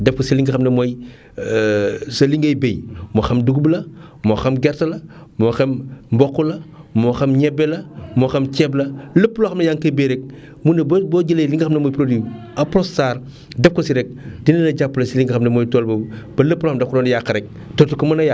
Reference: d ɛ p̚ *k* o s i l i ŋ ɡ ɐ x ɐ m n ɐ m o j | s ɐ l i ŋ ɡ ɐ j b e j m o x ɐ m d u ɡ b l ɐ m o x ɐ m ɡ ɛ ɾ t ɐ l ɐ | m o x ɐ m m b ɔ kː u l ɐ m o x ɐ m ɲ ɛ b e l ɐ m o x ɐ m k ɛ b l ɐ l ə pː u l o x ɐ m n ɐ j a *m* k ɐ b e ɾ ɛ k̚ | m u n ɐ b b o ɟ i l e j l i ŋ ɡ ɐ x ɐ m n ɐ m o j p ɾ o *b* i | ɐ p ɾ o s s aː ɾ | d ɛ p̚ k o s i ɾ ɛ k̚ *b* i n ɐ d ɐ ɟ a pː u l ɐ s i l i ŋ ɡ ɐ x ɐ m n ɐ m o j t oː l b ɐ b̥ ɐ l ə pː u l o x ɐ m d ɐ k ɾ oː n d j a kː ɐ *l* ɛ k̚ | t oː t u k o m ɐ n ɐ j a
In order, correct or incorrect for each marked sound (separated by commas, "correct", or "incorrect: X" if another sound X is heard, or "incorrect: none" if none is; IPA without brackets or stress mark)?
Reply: correct, incorrect: ŋ, incorrect: d, incorrect: d, incorrect: ɾ